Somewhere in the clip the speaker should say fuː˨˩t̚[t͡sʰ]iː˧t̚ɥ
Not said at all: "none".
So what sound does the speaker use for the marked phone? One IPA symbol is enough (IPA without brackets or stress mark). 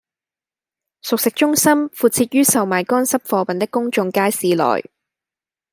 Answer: t͡sʰ